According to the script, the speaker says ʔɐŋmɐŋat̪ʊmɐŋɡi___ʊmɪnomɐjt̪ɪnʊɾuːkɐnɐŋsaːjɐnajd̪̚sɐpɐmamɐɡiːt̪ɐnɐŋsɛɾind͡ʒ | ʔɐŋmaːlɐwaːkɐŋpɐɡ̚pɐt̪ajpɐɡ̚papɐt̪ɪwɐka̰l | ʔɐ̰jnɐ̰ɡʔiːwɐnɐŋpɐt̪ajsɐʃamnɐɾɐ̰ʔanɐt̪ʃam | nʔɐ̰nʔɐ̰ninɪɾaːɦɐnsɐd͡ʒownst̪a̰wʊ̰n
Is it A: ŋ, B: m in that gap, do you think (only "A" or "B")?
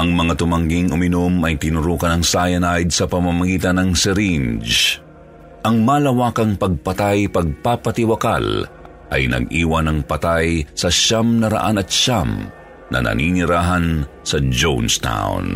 A